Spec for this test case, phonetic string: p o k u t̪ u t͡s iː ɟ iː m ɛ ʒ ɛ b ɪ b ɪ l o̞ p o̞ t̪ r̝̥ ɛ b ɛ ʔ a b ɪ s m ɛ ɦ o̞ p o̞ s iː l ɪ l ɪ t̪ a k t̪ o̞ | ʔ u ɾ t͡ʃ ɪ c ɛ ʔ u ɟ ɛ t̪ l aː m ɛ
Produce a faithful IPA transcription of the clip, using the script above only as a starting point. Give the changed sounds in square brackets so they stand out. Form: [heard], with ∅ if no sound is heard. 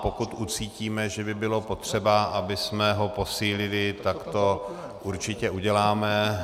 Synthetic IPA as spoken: p o k u t̪ u t͡s iː [c] iː m ɛ ʒ ɛ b ɪ b ɪ l o̞ p o̞ t̪ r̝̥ ɛ b [a] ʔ a b ɪ s m ɛ ɦ o̞ p o̞ s iː l ɪ l ɪ t̪ a k t̪ o̞ | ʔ u ɾ t͡ʃ ɪ c ɛ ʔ u ɟ ɛ [∅] l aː m ɛ